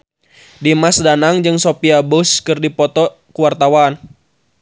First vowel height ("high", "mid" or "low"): high